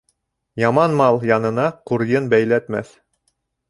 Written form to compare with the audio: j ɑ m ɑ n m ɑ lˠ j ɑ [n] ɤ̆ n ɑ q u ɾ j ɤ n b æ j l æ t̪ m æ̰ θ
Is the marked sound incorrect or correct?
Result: correct